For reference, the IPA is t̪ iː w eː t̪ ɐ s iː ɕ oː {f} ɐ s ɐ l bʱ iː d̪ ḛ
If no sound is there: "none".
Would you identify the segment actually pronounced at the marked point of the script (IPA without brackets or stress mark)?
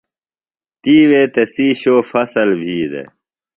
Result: f